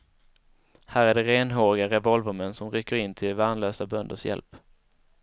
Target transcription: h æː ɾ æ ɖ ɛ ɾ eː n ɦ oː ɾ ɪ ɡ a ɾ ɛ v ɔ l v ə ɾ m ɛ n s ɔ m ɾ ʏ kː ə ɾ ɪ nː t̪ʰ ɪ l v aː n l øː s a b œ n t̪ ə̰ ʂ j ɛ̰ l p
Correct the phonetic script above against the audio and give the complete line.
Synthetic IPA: h æː ɾ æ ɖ ɛ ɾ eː n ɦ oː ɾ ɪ ɡ a ɾ ɛ v ɔ l v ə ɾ m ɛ n s ɔ m ɾ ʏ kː ə ɾ ɪ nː t̪ʰ ɪ l v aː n l øː s a b œ n d̪ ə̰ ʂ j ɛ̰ l p